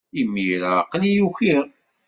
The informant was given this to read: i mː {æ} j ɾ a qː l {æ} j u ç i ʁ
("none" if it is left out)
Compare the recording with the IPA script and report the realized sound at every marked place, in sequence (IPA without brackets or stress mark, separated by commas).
i, i